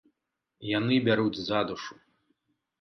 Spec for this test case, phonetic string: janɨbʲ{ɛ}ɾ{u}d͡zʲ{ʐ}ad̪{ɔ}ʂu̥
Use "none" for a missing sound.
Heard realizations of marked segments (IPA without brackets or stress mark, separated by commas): a, u, z, u